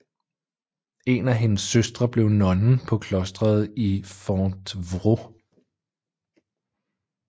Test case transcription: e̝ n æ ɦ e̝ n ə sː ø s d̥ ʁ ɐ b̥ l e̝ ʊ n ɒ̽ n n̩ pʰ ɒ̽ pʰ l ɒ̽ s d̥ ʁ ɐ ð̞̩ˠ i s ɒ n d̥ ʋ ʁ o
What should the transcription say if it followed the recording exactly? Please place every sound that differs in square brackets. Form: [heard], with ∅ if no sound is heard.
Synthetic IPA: e̝ n æ ɦ e̝ n ə sː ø s d̥ ʁ ɐ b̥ l e̝ ʊ n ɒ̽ n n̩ pʰ ɒ̽ [kʰ] l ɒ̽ s d̥ ʁ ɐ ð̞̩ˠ i [f] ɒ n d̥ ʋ ʁ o